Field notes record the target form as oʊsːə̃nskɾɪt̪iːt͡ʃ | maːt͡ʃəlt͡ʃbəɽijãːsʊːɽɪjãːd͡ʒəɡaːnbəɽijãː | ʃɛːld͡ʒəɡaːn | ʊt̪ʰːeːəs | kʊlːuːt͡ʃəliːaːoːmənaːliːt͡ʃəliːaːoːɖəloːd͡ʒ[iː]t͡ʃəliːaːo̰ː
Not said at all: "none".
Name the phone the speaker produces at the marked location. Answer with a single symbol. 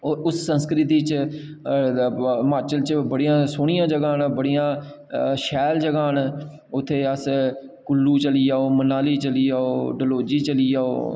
iː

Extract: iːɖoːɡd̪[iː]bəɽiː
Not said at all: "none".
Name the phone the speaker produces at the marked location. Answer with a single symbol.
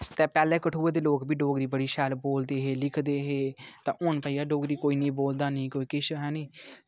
iː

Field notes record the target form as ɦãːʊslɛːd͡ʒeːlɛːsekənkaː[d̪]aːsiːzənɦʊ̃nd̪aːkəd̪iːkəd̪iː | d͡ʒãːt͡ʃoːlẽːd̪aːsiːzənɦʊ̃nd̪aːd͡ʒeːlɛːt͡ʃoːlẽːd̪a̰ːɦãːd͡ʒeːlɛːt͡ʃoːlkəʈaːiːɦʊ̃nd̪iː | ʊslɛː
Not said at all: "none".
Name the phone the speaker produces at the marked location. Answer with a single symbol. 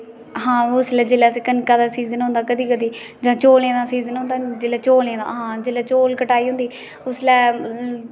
d̪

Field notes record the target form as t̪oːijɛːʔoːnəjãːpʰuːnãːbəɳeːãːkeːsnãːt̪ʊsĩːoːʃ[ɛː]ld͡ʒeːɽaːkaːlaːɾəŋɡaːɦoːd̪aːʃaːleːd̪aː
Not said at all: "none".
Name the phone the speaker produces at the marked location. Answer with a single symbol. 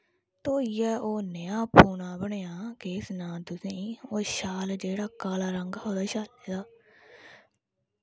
aː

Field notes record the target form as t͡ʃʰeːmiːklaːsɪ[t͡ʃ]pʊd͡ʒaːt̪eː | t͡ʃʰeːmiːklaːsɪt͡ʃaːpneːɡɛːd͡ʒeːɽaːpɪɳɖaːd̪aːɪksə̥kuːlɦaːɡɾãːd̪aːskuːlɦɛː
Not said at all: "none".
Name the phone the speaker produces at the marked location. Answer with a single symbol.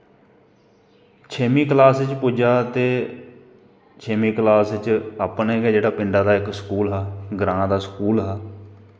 t͡ʃ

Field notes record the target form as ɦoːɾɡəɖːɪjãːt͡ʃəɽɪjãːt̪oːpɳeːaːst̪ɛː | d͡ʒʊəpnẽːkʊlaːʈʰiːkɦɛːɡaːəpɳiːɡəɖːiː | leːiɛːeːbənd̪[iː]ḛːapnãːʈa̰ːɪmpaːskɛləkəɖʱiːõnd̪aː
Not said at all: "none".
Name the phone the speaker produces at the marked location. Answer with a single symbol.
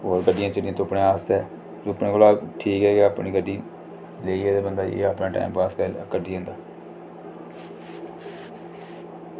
aː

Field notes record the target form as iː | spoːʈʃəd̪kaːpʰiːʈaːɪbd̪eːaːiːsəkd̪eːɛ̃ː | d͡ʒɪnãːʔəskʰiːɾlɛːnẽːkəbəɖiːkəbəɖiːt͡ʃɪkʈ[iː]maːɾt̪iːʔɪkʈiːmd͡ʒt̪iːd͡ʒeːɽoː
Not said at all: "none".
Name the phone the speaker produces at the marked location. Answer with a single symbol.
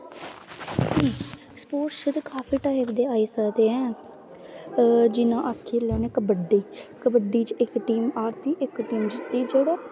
iː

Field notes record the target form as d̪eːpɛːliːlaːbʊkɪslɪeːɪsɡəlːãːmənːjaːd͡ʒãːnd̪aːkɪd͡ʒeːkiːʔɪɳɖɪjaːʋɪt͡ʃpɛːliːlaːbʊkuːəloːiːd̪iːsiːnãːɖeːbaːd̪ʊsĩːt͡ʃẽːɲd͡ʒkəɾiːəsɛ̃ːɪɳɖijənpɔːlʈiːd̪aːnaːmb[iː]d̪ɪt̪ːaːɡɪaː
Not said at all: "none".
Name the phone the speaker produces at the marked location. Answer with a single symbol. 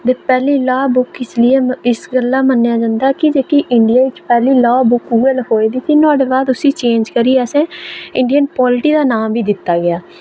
iː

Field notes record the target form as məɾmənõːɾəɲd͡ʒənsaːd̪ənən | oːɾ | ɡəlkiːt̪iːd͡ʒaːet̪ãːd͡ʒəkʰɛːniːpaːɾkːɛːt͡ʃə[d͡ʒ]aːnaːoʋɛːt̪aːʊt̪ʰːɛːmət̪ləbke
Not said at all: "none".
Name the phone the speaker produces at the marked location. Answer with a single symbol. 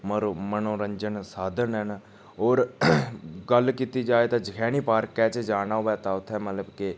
d͡ʒ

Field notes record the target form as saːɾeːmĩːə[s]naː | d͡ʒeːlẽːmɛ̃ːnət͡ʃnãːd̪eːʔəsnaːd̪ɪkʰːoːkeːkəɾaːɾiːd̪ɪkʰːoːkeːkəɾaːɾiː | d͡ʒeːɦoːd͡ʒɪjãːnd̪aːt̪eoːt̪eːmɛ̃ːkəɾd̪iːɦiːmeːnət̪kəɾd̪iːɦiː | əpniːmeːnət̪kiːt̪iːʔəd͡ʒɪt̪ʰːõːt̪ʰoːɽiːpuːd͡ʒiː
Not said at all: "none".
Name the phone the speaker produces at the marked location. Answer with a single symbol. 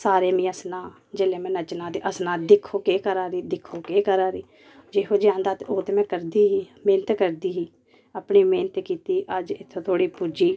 s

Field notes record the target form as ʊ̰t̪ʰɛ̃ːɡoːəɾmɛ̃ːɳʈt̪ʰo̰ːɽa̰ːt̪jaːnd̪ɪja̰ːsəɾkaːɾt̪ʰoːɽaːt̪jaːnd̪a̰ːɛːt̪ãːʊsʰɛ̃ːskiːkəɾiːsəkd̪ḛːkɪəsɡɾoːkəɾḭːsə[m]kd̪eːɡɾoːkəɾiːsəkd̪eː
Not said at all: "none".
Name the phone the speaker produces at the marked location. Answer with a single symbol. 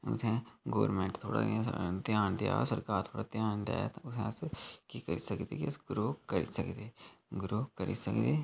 none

